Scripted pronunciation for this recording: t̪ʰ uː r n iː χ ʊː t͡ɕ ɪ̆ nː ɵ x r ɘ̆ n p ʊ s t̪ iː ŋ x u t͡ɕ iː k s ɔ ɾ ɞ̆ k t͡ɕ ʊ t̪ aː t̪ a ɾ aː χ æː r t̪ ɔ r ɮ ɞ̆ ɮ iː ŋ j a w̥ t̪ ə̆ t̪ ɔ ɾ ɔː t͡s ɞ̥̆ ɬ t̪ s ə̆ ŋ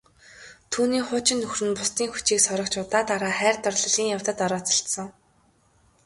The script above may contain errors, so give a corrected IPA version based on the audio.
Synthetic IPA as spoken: t̪ʰ uː n iː χ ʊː t͡ɕ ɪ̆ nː ɵ x r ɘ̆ n p ʊ s t̪ iː ŋ x u t͡ɕ iː k s ɔ ɾ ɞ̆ k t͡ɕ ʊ t̪ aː t̪ a ɾ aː χ æː r t̪ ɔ r ɮ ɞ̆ ɮ iː ŋ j a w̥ t̪ ə̆ t̪ ɔ ɾ ɔː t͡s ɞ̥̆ ɬ t̪ s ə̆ ŋ